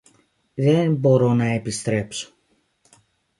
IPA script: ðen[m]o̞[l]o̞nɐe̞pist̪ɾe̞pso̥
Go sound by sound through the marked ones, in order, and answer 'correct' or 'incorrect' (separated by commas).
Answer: incorrect, incorrect